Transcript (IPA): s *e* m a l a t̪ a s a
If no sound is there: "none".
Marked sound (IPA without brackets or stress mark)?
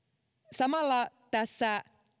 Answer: a